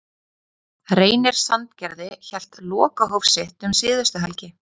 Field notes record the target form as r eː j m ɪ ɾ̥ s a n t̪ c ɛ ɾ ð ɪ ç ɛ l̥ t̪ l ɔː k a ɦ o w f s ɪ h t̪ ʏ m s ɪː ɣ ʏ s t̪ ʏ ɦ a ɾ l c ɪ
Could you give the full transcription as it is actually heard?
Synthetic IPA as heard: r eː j n ɪ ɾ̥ s a n t̪ c ɛ ɾ ð ɪ ç ɛ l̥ t̪ l ɔː k a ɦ o w f s ɪ h t̪ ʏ m s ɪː ð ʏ s t̪ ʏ ɦ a l c ɪ

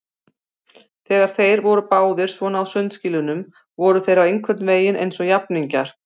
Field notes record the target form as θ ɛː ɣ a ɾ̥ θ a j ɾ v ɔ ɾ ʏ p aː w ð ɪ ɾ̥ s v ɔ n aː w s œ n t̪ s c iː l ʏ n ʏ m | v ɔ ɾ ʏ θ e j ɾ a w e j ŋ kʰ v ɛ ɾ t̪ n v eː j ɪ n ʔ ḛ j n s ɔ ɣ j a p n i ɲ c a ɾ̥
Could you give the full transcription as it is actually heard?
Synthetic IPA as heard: θ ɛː ɣ a ɾ̥ θ e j ɾ v ɔ ɾ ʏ p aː w ð ɪ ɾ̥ s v ɔ n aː w s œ n t̪ s c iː l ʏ n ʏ m | v ɔ ɾ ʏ θ e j ɾ a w e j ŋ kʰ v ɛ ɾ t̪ n v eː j ɪ n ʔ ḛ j n s ɔ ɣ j a p n i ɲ c a ɾ̥

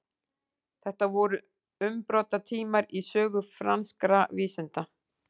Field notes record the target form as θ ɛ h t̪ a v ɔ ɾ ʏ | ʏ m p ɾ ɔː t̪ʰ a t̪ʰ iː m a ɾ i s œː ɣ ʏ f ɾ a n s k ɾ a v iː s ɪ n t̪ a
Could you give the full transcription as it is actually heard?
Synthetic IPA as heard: θ ɛ h t̪ a v ɔ ɾ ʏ | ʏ m p ɾ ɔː t̪ a t̪ʰ iː m a ɾ i s œː ɣ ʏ f ɾ a n s k ɾ a v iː s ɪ n t̪ a

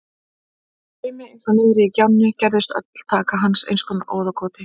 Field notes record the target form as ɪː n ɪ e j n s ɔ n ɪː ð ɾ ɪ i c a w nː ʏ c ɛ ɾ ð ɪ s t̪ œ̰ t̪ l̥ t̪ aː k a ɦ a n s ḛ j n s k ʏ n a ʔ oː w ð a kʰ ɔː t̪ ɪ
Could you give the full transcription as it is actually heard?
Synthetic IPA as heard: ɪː m ɪ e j n s ɔ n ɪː ð ɾ ɪ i c a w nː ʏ c ɛ ɾ ð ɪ s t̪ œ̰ t̪ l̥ t̪ʰ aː k a ɦ a n s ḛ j n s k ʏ n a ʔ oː w ð a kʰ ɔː t̪ ɪ

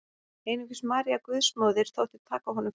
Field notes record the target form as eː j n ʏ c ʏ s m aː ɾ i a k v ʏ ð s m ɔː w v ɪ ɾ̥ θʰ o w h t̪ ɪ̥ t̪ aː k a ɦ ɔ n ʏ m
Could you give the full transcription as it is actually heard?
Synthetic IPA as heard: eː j n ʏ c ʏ s m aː ɾ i a k v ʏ ð s m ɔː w ð ɪ ɾ̥ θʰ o w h t̪ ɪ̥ t̪ʰ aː k a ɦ ɔ n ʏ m

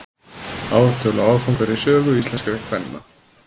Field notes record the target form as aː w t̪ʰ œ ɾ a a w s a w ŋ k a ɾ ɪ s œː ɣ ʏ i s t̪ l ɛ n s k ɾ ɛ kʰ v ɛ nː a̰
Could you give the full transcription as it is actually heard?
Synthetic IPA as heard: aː w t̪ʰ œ l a a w f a w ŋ k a ɾ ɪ s œː ɣ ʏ i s t̪ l ɛ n s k ɾ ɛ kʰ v ɛ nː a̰

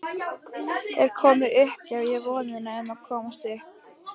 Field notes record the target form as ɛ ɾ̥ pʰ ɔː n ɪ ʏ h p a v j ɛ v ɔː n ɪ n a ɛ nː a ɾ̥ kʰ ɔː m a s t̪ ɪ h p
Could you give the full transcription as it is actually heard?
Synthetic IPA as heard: ɛ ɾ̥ kʰ ɔː m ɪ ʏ h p a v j ɛ v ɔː n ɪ n a ɛ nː a kʰ ɔː m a s t̪ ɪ h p

